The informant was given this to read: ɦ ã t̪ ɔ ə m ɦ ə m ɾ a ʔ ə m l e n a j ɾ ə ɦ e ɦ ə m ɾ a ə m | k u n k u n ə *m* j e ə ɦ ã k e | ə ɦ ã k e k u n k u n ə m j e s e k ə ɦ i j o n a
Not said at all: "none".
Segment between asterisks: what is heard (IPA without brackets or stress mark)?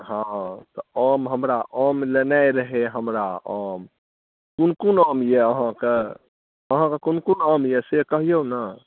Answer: m